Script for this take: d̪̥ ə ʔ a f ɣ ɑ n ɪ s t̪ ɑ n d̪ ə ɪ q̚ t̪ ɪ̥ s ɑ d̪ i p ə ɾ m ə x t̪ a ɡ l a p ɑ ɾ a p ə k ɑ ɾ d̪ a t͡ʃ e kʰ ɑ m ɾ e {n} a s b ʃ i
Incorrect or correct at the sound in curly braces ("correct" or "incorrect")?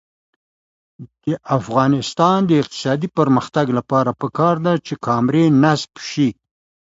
correct